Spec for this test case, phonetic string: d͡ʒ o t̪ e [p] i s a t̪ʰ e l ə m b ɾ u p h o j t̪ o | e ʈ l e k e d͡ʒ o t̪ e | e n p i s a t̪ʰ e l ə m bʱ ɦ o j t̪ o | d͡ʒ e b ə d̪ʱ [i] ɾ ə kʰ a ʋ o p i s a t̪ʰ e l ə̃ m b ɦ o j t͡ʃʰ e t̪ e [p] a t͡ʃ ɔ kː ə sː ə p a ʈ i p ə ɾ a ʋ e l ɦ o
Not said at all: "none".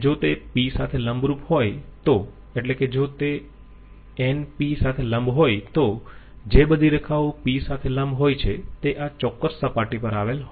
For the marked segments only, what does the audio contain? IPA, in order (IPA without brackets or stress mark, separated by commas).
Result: p, i, ʔ